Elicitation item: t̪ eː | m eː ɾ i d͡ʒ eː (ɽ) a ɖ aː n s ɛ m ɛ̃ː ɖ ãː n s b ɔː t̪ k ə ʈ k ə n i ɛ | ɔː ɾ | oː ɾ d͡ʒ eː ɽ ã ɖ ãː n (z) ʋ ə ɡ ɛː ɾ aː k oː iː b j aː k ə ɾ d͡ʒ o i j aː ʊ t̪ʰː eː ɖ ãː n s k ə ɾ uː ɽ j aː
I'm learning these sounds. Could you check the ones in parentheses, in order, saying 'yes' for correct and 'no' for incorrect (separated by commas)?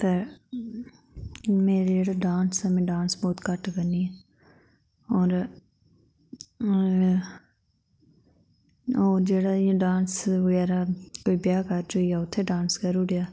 yes, no